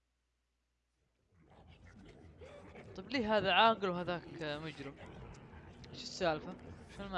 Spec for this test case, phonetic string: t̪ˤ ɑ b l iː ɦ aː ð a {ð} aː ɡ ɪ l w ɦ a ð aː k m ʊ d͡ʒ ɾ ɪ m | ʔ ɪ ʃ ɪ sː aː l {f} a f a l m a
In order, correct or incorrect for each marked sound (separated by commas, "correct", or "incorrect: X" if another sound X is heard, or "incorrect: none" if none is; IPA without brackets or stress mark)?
incorrect: ʕ, correct